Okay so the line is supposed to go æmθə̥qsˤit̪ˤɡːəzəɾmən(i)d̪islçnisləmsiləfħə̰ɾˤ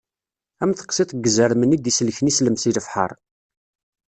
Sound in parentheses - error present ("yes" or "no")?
no